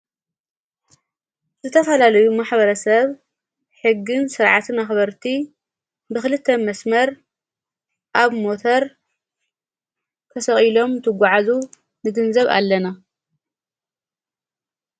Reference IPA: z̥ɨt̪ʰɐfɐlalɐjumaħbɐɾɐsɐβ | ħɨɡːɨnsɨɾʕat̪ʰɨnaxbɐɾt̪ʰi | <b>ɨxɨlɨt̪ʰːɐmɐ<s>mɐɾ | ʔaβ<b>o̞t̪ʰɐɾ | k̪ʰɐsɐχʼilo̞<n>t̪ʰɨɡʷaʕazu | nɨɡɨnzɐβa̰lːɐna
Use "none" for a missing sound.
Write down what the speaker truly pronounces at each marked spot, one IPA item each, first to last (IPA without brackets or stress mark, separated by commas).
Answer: b, s, m, m